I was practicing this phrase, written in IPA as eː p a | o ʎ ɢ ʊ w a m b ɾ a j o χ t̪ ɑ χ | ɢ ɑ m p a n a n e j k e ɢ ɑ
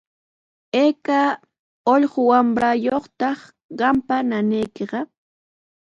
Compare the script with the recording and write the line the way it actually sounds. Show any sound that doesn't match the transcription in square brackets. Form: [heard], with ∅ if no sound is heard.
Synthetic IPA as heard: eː [k] a | o ʎ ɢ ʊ w a m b ɾ a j o χ t̪ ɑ χ | ɢ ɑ m p a n a n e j k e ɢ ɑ